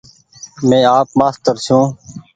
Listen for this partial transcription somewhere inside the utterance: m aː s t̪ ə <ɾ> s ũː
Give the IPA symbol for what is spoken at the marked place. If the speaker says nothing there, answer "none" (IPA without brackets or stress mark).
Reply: ɾ